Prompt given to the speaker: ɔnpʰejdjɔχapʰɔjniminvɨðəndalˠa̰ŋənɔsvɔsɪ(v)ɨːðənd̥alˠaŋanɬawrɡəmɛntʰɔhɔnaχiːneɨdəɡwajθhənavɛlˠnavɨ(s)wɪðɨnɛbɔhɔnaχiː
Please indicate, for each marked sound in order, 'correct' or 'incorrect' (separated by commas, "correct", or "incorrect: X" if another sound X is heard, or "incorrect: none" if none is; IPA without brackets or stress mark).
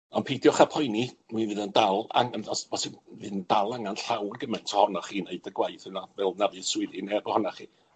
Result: correct, correct